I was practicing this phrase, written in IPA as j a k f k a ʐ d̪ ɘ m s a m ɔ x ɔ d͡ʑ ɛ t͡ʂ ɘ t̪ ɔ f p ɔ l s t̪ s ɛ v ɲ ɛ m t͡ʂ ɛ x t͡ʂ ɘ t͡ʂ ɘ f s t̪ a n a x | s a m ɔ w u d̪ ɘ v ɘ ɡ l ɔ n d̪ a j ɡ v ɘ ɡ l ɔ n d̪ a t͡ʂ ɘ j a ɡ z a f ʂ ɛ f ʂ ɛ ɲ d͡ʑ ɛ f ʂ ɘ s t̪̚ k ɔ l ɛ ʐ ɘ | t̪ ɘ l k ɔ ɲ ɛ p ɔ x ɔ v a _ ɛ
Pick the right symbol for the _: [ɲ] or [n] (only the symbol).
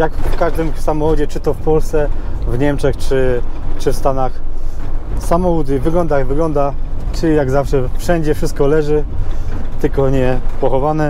n